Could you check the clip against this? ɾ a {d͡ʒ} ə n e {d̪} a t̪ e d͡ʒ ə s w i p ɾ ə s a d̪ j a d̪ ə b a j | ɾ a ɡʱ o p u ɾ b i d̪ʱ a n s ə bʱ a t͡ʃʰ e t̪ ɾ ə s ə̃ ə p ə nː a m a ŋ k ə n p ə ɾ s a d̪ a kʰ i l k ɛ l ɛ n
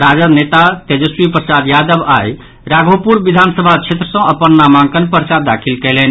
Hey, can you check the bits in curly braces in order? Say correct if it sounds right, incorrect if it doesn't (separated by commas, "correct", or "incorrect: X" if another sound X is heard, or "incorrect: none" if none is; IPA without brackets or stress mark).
correct, incorrect: t̪